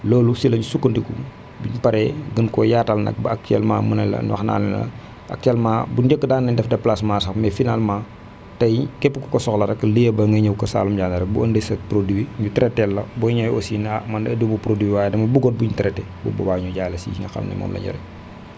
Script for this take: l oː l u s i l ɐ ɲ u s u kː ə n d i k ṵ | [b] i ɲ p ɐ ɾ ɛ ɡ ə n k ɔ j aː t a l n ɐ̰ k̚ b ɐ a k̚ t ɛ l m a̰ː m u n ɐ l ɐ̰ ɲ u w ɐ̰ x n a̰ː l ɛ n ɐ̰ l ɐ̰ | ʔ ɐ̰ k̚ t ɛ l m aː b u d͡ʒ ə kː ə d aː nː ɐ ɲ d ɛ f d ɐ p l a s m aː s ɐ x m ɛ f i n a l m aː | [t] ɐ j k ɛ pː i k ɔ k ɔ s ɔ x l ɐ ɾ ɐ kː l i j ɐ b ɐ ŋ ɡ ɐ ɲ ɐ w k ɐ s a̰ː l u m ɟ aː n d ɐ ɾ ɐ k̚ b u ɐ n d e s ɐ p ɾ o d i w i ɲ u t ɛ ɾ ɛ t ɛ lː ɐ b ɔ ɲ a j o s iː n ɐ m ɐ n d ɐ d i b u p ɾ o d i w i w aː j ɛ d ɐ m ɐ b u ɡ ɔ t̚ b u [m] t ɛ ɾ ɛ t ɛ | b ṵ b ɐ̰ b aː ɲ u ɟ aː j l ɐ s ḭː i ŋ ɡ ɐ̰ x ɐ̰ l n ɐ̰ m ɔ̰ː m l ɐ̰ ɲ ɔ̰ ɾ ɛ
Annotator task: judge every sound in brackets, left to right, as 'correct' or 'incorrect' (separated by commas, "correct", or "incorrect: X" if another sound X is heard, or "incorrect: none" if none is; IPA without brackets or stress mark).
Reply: correct, correct, incorrect: ɲ